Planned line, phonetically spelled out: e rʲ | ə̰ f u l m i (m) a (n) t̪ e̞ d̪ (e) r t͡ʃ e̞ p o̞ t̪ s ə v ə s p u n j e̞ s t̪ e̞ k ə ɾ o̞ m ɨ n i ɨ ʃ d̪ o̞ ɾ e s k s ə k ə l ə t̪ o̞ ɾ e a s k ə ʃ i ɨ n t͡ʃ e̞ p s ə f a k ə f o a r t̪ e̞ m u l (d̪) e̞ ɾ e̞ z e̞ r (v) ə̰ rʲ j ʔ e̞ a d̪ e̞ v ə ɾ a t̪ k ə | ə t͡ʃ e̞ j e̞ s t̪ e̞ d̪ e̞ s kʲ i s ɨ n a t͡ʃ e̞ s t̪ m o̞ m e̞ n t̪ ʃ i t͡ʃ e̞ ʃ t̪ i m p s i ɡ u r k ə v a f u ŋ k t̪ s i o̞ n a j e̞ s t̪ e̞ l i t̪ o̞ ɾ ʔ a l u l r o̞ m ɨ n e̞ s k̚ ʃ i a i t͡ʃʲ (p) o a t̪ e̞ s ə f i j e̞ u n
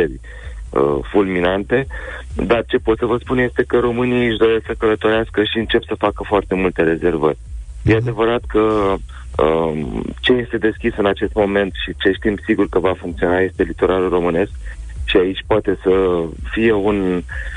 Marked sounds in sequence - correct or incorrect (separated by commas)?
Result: incorrect, correct, incorrect, incorrect, correct, correct